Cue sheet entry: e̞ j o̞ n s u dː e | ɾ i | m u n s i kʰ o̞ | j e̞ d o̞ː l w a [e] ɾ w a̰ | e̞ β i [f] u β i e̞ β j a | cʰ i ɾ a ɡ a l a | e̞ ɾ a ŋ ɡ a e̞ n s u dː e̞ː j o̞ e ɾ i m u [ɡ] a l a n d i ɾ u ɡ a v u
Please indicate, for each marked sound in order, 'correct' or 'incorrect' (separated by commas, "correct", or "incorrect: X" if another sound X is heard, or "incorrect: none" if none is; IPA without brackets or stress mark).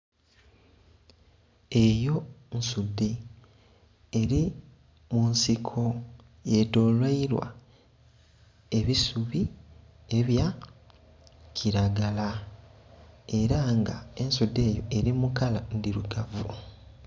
incorrect: i, incorrect: s, incorrect: k